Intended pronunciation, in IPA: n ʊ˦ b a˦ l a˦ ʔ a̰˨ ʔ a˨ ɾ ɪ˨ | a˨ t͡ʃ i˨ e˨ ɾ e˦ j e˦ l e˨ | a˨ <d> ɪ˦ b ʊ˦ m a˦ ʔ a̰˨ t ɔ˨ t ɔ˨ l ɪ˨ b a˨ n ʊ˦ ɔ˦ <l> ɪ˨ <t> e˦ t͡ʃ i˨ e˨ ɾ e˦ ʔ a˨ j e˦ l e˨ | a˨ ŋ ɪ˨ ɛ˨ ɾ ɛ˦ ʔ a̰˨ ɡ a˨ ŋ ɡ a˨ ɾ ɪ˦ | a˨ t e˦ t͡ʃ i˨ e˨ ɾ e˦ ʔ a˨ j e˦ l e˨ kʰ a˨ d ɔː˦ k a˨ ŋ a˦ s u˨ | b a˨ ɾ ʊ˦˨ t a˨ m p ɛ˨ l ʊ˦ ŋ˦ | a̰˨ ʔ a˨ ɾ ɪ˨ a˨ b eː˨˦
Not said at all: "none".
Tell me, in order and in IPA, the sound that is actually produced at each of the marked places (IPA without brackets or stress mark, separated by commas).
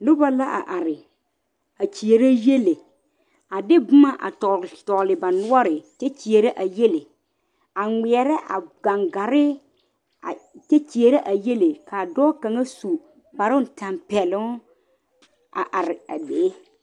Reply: d, ɾ, t